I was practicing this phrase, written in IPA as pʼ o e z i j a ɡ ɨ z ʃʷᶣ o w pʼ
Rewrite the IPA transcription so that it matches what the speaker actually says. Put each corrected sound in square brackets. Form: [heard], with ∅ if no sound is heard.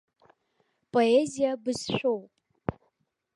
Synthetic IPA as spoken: pʼ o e z i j a [b] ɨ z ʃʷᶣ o w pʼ